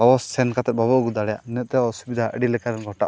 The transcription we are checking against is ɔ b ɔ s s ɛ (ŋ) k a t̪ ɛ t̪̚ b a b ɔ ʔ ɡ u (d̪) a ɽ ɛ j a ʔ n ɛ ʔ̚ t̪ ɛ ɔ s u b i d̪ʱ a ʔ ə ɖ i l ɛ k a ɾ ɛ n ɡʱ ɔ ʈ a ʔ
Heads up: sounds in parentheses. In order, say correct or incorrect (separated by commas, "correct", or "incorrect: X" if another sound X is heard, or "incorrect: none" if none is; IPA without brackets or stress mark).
incorrect: n, correct